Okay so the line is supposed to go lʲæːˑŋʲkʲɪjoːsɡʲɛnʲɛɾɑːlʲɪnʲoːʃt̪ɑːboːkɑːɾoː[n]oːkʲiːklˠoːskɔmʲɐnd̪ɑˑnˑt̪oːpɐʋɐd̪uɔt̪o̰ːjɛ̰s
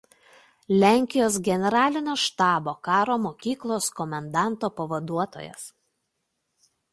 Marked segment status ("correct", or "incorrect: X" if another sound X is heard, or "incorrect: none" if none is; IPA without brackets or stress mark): incorrect: m